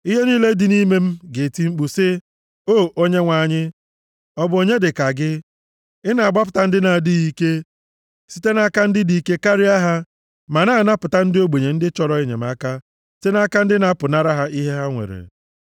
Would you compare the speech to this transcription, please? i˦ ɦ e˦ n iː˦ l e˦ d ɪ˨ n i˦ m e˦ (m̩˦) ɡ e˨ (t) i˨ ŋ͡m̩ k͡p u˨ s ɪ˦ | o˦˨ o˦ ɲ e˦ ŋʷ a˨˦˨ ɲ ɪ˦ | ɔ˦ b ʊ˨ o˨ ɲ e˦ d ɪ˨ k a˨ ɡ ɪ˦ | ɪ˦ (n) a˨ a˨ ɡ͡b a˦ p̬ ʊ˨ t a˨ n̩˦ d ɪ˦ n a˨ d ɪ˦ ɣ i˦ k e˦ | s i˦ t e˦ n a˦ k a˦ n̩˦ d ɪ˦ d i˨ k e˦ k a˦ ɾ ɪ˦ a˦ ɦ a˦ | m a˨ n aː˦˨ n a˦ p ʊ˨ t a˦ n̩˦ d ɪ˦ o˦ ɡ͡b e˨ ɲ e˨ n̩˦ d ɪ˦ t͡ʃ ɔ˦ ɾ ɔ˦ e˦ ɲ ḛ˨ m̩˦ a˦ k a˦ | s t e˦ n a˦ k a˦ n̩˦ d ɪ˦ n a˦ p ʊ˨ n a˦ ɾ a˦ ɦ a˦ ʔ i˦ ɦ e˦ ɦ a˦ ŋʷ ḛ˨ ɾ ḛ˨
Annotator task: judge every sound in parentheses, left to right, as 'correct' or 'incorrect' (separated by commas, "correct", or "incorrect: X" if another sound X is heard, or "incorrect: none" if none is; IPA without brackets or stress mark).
correct, correct, correct